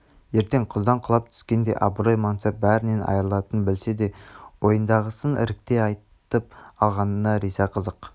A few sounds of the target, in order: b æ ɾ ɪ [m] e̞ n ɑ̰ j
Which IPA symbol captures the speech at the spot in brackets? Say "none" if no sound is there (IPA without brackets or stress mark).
n